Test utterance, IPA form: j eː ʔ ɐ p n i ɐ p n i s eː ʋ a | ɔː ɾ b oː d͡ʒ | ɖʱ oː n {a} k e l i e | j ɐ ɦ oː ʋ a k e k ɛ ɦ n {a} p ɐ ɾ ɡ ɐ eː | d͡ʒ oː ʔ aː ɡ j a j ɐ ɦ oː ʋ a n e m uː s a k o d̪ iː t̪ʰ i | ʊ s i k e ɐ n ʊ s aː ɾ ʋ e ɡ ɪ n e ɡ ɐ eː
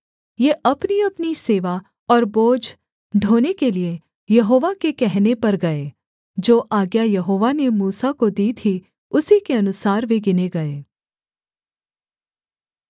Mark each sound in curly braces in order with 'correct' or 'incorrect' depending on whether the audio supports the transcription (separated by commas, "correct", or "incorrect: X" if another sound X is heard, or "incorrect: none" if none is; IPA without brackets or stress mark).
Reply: incorrect: e, incorrect: e